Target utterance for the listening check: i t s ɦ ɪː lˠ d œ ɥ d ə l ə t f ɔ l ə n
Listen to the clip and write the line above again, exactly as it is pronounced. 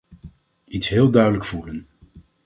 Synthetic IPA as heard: i t s ɦ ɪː lˠ d œ ɥ d ə l ə k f u l ə n